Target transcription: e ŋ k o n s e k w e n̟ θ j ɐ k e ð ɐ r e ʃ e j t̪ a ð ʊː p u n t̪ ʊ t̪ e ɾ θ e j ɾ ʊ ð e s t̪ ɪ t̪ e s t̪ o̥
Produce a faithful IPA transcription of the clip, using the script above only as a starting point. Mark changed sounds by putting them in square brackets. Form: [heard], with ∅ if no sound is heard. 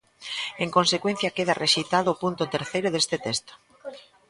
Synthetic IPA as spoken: e ŋ k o n s e k w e n̟ θ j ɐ k e ð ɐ r e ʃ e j t̪ a ð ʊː p u n t̪ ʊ t̪ e ɾ θ e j ɾ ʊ ð e s t̪ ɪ t̪ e s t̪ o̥